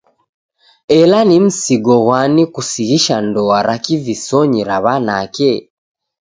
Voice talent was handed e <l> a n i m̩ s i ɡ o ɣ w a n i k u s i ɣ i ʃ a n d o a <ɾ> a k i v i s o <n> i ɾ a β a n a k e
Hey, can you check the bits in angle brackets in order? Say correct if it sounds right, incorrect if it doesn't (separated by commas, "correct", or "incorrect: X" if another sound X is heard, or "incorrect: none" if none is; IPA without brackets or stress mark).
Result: correct, correct, incorrect: ɲ